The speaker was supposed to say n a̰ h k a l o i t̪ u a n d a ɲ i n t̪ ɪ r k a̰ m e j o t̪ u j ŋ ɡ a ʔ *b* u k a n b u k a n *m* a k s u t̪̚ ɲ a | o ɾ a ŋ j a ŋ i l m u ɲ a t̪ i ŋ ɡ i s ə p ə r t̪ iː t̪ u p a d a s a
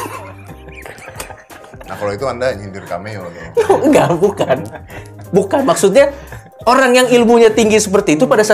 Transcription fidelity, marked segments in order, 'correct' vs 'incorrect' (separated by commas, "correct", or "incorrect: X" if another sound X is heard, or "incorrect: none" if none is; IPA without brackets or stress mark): correct, correct